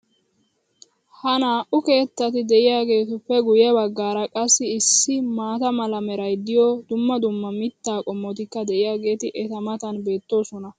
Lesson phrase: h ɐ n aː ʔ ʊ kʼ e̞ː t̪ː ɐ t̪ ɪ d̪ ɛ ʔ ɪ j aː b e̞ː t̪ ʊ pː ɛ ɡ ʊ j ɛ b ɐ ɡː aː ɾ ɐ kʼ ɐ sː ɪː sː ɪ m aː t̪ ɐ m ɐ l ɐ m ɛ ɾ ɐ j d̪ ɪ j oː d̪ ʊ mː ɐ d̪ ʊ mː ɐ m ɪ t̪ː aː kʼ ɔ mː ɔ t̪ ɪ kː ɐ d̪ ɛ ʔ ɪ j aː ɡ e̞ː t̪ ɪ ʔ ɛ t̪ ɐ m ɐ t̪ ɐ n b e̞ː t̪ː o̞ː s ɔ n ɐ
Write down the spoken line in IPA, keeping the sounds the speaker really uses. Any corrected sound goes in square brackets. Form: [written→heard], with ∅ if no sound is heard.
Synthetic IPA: h ɐ n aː ʔ ʊ [kʼ→k] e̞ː t̪ː ɐ t̪ ɪ d̪ ɛ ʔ ɪ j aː [b→ɡ] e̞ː t̪ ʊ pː ɛ ɡ ʊ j ɛ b ɐ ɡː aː ɾ ɐ kʼ ɐ sː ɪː sː ɪ m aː t̪ ɐ m ɐ l ɐ m ɛ ɾ ɐ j d̪ ɪ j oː d̪ ʊ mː ɐ d̪ ʊ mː ɐ m ɪ t̪ː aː kʼ ɔ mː ɔ t̪ ɪ kː ɐ d̪ ɛ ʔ ɪ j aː ɡ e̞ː t̪ ɪ ʔ ɛ t̪ ɐ m ɐ t̪ ɐ n b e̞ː t̪ː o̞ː s ɔ n ɐ